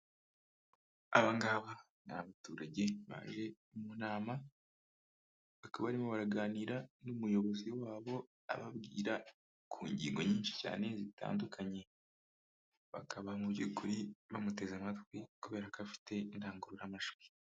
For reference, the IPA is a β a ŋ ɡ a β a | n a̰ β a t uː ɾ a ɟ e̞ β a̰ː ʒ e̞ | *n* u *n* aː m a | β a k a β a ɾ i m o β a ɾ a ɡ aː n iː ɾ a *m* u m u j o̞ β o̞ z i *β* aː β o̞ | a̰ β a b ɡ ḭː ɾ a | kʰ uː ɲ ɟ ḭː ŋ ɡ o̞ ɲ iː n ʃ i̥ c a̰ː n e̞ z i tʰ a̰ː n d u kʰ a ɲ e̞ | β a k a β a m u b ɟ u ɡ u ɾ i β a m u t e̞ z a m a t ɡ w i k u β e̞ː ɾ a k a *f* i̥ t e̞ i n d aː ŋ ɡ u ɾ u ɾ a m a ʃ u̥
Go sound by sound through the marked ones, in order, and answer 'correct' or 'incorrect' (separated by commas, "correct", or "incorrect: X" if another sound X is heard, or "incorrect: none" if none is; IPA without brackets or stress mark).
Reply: incorrect: m, correct, incorrect: n, incorrect: w, correct